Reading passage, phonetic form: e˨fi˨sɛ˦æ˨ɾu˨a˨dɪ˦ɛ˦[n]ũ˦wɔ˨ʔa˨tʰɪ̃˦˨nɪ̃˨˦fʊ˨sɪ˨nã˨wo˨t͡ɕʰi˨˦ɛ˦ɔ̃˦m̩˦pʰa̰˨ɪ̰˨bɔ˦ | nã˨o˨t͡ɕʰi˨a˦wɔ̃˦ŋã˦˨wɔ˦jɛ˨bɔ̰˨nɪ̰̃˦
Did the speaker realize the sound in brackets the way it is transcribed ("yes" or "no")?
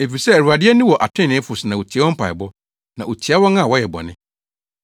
yes